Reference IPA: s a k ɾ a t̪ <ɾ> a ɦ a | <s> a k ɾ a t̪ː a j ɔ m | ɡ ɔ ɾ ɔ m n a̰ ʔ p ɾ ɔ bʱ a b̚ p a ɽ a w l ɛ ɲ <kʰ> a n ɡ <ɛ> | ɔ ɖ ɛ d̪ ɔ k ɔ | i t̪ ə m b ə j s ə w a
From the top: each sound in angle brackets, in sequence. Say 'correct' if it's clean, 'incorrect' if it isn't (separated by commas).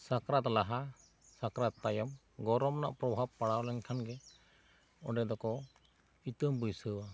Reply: incorrect, correct, correct, correct